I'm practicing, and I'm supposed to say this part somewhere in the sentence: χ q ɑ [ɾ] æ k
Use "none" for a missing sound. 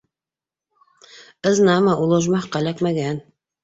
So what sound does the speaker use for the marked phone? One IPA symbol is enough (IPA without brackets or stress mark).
l